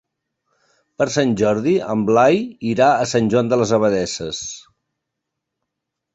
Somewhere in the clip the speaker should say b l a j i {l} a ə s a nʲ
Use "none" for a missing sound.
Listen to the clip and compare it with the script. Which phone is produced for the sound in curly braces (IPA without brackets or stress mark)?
ɾ